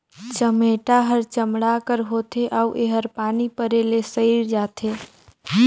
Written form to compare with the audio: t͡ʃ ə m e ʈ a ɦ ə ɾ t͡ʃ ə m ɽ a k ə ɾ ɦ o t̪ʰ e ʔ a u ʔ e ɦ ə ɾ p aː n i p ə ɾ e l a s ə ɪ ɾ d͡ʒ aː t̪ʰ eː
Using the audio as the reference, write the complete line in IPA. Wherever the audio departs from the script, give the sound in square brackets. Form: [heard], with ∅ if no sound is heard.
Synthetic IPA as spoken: t͡ʃ ə m e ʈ a ɦ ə ɾ t͡ʃ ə m ɽ a k ə ɾ ɦ o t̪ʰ e ʔ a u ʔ e ɦ ə ɾ p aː n i p ə ɾ e l [e] s ə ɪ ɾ d͡ʒ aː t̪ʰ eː